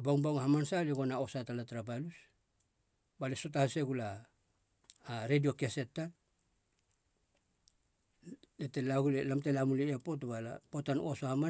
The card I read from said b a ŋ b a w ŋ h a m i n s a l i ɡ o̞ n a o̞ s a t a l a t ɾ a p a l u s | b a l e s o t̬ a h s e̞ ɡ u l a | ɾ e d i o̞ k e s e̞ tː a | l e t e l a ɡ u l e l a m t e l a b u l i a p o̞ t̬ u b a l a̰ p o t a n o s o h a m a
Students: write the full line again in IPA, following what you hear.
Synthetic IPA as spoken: b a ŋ b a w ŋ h a m a n s a l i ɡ o̞ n a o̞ s a t a l a t ɾ a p a l u s | b a l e s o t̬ a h s e̞ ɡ u l a | ɾ e d i o̞ k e s e̞ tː a | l e t e l a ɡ u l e l a m t e l a m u l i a p o̞ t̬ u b a l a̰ p o t a n o s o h a m a